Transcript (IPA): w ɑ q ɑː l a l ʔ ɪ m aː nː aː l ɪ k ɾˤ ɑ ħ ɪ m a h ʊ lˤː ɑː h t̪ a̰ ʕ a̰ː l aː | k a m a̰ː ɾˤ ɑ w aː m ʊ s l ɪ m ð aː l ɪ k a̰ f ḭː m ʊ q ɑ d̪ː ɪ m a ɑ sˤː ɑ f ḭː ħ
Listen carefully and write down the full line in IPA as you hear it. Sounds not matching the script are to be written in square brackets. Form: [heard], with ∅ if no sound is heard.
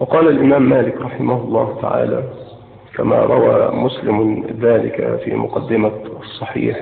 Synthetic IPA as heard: w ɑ q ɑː l a l ʔ ɪ m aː [mː] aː l ɪ k ɾˤ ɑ ħ ɪ m a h ʊ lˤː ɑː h t̪ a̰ ʕ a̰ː l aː | k a m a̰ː ɾˤ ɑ w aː m ʊ s l ɪ m ð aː l ɪ k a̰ f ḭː m ʊ q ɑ d̪ː ɪ m a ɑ sˤː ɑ [ħ] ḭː ħ